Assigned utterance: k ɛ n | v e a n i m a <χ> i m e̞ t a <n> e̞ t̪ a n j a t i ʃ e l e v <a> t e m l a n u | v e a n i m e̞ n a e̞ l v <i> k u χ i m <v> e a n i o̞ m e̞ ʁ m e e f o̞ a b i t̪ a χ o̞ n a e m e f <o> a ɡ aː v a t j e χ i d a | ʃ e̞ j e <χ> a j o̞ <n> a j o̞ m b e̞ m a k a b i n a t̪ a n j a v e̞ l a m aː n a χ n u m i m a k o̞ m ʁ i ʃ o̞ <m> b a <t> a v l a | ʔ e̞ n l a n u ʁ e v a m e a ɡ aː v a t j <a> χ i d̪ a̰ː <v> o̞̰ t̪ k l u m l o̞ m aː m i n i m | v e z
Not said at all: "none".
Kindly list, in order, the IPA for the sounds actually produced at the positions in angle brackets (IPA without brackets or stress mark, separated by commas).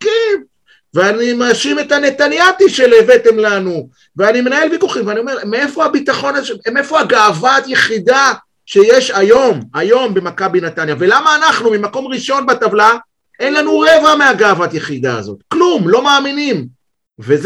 ʃ, n, e, i, v, o, ʃ, m, n, t, e, z